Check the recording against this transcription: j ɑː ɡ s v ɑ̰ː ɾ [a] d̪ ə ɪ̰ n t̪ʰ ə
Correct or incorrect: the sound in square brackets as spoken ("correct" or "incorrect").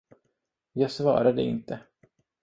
correct